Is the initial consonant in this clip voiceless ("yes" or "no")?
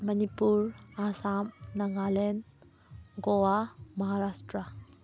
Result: no